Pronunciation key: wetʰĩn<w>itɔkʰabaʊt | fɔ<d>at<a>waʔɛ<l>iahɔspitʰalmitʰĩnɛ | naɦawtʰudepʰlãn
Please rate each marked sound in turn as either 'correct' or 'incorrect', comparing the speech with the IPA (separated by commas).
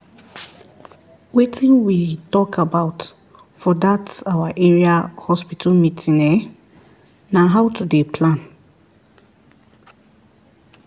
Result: correct, correct, correct, incorrect